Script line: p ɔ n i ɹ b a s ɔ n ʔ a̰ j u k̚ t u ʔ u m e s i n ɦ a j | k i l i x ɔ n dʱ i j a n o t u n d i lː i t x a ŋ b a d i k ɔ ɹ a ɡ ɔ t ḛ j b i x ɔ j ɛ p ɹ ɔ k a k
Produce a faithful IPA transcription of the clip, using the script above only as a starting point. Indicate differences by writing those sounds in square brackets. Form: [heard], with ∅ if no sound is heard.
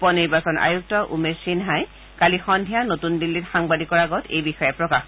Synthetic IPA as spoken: p ɔ n i ɹ b a s ɔ n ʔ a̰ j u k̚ t [ɔ] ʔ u m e s i n ɦ a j | k [a] l i x ɔ n dʱ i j a n o t u n d i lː i t x a ŋ b a d i k ɔ ɹ a ɡ ɔ t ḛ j b i x ɔ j ɛ p ɹ ɔ k a [x]